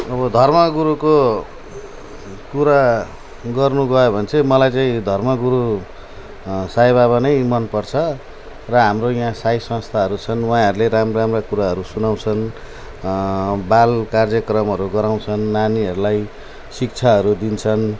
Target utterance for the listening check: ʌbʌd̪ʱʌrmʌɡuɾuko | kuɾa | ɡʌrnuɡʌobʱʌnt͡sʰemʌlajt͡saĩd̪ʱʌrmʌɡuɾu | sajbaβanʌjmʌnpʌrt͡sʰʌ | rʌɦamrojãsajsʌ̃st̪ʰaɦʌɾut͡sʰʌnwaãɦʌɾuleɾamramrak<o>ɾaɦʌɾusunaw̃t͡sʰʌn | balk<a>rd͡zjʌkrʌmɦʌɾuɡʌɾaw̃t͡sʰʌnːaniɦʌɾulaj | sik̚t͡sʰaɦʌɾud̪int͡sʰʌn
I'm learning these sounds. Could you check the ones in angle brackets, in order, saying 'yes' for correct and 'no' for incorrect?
no, yes

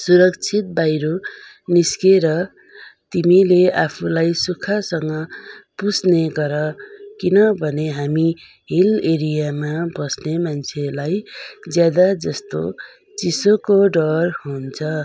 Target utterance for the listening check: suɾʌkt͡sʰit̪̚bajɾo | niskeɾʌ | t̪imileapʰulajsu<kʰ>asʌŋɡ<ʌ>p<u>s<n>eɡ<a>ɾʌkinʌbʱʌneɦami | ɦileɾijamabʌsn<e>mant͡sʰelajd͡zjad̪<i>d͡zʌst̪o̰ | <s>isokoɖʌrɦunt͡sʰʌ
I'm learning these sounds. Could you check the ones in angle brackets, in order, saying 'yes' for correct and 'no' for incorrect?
yes, yes, yes, yes, no, yes, no, no

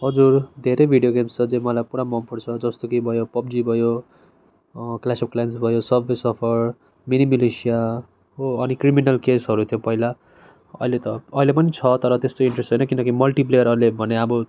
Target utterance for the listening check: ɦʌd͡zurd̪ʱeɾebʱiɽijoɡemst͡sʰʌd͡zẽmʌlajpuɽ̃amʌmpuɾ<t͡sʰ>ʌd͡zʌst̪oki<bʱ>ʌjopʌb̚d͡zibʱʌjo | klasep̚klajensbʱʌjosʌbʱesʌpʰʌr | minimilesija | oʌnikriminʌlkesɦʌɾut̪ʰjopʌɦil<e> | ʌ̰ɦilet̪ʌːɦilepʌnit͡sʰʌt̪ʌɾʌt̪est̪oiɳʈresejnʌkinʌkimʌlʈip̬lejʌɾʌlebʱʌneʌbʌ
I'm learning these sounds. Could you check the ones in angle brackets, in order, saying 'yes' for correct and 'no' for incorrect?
yes, yes, no

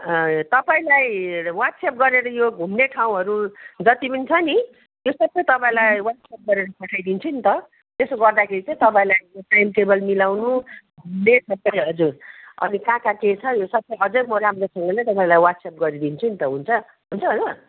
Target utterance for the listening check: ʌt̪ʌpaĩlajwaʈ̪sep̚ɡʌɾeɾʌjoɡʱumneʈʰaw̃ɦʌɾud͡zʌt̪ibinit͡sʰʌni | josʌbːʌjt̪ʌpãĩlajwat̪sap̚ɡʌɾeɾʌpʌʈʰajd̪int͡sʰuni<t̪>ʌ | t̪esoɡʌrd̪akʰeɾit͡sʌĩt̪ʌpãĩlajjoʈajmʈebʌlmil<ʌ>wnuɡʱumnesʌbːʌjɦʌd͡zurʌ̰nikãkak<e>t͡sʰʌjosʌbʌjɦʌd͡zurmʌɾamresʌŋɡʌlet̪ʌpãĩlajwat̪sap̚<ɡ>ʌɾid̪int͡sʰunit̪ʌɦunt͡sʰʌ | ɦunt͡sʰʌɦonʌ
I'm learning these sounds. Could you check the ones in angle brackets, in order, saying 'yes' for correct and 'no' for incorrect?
yes, no, yes, yes

